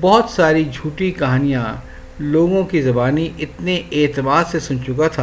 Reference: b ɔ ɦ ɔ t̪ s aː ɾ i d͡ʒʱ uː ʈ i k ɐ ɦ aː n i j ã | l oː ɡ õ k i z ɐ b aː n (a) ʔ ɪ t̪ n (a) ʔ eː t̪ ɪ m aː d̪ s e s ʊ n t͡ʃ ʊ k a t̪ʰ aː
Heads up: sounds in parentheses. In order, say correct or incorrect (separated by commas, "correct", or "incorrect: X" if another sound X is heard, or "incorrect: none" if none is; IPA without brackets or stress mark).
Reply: incorrect: i, incorrect: e